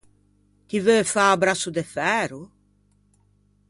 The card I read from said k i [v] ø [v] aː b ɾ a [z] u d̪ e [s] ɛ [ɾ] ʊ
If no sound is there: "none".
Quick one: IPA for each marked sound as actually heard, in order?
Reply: v, f, s, f, ɾ

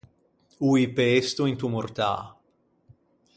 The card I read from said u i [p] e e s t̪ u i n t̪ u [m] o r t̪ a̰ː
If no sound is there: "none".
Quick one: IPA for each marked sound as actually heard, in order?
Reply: p, m

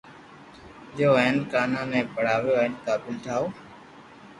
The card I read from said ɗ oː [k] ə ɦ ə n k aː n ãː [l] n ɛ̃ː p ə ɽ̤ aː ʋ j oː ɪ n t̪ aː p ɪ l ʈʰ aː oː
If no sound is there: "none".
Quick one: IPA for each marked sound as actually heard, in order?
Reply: none, none

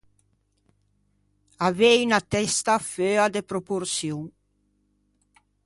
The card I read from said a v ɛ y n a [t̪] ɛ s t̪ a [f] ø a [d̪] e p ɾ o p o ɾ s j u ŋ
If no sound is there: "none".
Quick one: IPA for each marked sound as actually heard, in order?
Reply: t̪, f, d̪

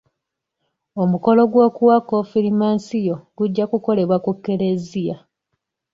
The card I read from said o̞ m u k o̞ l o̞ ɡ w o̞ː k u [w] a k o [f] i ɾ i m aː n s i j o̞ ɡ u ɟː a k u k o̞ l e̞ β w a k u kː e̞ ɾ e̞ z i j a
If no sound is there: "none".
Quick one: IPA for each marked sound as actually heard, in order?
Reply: w, f

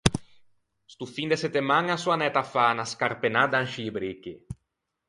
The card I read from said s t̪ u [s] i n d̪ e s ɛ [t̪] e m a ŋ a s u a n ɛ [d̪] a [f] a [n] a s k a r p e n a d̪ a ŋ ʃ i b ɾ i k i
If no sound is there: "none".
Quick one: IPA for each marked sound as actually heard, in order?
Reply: f, t̪, t̪, f, n

